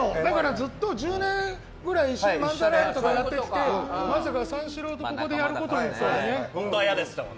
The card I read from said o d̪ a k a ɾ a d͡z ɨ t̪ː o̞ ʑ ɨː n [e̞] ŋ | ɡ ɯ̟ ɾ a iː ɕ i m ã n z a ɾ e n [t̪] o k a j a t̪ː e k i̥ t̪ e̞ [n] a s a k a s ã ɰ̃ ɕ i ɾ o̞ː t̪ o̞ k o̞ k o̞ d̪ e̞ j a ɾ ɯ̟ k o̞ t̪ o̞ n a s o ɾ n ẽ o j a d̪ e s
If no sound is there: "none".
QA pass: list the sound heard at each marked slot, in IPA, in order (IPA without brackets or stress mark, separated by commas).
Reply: ẽ̞, t̪, m